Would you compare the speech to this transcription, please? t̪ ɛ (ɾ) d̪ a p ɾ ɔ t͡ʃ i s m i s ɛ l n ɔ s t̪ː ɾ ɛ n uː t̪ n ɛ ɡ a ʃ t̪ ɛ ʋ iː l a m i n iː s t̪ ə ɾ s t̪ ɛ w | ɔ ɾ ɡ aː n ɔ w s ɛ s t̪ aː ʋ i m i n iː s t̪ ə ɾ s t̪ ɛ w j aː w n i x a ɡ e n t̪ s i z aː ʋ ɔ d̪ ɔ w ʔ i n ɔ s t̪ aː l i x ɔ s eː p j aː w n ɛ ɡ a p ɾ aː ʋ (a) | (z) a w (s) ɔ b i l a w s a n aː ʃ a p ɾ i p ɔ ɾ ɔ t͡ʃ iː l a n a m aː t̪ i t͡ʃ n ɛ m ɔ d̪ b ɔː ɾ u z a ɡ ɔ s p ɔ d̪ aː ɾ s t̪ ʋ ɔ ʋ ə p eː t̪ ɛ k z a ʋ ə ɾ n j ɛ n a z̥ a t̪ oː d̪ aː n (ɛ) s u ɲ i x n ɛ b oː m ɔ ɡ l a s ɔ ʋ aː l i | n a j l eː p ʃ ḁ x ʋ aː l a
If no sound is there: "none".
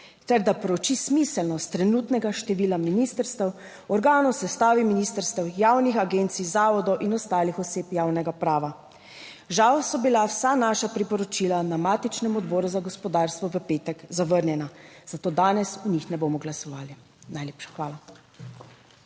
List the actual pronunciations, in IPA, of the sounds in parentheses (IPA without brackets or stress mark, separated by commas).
ɾ, a, ʒ, s, ɛ